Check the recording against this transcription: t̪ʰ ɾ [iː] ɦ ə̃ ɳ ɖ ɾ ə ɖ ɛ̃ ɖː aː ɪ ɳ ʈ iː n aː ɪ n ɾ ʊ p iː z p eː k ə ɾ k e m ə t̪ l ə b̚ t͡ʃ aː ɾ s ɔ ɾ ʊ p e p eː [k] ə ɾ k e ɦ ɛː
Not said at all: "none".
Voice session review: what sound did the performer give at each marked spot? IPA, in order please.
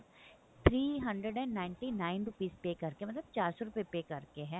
iː, k

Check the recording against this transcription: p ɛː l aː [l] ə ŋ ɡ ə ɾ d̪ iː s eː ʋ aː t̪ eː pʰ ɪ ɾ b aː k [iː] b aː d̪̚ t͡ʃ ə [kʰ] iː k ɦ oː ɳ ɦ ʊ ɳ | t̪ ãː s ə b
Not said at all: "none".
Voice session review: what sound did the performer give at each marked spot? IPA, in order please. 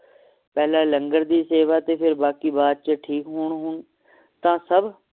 l, iː, ʈʰ

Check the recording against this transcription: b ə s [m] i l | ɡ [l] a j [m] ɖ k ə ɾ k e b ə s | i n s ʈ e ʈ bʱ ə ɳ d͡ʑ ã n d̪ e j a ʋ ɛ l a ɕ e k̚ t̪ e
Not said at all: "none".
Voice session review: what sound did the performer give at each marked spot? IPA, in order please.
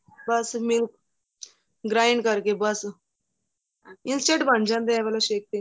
m, ɾ, ɳ

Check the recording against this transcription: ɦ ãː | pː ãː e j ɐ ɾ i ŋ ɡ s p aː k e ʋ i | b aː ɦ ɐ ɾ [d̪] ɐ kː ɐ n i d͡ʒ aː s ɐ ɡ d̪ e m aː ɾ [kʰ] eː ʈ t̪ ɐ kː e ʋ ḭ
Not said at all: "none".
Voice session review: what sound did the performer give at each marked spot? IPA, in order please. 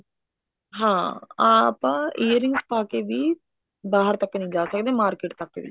t̪, k

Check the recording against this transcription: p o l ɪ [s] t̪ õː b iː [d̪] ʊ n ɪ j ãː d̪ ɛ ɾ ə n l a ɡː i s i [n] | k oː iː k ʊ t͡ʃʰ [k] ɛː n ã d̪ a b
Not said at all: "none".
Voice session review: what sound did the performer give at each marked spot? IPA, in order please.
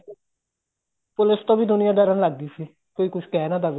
s, d̪, none, k

